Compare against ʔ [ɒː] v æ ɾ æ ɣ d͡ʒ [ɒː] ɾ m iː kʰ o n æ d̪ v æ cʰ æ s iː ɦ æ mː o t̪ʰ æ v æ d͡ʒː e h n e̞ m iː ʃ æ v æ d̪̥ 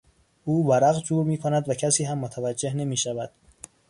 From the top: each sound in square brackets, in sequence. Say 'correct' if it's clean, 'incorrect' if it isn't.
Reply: incorrect, incorrect

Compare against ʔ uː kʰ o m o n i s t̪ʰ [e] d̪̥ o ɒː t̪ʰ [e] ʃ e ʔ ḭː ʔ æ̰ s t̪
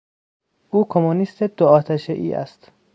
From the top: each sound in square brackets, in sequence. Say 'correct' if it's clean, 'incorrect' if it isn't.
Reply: correct, incorrect

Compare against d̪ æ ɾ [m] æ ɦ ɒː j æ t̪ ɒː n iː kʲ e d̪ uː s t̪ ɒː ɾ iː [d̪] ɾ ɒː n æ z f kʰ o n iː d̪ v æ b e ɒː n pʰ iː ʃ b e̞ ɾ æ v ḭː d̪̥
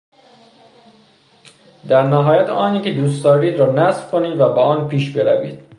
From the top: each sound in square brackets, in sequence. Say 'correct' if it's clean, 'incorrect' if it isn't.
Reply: incorrect, correct

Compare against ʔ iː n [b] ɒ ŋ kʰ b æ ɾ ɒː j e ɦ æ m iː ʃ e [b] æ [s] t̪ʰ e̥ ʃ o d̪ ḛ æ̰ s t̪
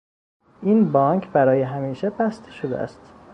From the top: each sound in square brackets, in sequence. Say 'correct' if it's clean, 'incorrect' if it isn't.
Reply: correct, correct, correct

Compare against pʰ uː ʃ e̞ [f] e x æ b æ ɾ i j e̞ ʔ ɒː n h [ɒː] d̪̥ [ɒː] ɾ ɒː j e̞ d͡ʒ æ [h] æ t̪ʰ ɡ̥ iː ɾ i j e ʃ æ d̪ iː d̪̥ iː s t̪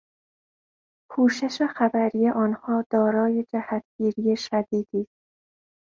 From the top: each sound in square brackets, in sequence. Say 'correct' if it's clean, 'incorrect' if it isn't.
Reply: incorrect, correct, correct, correct

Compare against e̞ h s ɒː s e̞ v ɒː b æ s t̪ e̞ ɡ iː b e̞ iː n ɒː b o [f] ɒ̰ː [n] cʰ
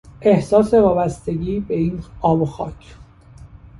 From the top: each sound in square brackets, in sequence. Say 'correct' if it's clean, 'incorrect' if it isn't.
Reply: incorrect, incorrect

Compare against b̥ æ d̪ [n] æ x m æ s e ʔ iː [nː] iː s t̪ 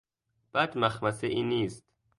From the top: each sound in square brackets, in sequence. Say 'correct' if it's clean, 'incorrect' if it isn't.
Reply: incorrect, incorrect

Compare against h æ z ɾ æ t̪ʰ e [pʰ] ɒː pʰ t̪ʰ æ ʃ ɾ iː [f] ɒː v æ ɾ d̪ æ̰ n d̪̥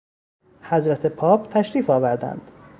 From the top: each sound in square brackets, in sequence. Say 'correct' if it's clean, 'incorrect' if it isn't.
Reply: correct, correct

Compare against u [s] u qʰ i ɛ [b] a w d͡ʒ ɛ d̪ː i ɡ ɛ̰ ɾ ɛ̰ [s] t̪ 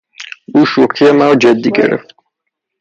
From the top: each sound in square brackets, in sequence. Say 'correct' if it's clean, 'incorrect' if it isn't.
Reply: incorrect, incorrect, incorrect

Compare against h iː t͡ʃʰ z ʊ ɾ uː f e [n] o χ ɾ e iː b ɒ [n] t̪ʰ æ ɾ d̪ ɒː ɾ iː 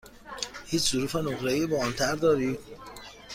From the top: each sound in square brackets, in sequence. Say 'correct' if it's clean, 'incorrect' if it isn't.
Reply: correct, correct

